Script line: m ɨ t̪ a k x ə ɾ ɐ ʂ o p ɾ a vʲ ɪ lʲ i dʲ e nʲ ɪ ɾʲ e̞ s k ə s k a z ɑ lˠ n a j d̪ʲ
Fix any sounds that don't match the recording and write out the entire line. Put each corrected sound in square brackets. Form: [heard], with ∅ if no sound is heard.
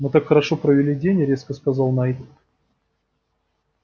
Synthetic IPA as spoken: m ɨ t̪ a k x ə ɾ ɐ ʂ o p ɾ [ə] vʲ ɪ lʲ i dʲ e nʲ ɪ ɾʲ e̞ s k ə s k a z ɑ lˠ n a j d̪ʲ